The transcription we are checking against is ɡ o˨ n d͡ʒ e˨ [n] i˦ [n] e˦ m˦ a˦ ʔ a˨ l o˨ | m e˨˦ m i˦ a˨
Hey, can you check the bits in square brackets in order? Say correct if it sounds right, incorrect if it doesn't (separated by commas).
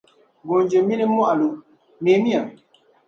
incorrect, correct